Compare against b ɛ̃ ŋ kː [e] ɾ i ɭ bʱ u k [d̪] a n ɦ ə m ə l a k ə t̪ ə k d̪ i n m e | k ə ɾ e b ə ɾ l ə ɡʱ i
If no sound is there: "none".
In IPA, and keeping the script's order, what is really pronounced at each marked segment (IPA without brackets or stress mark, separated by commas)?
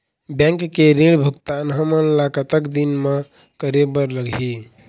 e, t̪